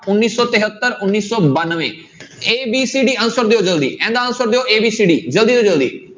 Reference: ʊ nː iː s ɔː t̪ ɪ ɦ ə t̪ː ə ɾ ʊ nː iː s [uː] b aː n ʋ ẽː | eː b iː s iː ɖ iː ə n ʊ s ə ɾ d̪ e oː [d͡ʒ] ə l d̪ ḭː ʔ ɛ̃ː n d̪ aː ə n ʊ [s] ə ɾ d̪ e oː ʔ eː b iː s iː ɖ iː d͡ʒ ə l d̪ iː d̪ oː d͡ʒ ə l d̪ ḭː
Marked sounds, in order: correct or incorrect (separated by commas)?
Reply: incorrect, correct, correct